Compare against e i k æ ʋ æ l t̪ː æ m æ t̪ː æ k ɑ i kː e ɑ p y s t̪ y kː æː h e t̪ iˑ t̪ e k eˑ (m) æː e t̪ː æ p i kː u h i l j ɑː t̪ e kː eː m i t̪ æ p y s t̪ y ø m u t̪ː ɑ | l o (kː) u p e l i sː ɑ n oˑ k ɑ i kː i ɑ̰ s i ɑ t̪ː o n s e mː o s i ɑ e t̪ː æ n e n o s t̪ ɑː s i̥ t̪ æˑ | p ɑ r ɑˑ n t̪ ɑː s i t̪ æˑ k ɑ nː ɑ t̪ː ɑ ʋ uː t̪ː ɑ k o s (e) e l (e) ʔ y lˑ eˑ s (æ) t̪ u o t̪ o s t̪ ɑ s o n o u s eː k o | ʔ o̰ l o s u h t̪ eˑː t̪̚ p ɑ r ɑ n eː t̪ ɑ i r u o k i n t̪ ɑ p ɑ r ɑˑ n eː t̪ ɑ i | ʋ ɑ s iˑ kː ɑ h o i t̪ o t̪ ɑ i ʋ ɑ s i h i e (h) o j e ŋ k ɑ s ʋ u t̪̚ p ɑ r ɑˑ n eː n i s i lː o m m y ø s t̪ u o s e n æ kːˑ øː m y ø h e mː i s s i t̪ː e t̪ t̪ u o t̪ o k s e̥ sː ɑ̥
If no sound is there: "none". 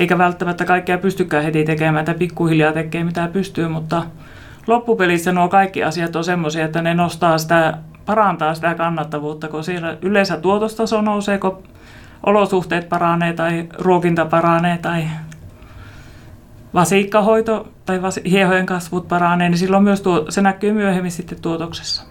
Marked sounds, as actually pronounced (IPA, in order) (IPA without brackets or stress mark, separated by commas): m, pː, i, æ, æ, h